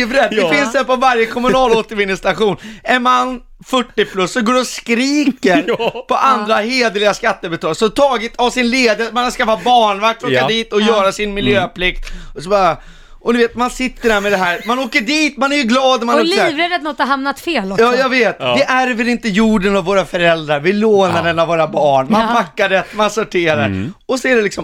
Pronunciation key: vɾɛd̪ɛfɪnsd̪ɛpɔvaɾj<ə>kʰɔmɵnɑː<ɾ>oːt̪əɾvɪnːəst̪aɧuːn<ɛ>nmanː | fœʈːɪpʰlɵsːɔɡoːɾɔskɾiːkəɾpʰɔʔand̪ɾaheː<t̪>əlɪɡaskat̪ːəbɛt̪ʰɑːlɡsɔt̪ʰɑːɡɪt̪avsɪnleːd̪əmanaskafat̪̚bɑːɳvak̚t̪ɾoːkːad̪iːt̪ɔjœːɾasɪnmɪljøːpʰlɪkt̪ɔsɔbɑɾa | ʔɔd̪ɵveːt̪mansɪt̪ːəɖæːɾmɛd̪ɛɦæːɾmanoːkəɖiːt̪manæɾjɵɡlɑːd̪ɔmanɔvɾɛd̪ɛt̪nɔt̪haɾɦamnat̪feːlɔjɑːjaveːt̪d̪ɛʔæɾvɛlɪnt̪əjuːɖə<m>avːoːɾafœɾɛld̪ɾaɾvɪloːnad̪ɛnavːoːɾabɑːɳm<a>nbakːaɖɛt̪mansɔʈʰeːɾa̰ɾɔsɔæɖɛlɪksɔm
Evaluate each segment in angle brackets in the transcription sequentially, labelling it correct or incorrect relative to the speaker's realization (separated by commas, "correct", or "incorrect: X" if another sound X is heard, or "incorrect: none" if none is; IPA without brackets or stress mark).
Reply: correct, incorrect: l, correct, incorrect: d̪, incorrect: n, correct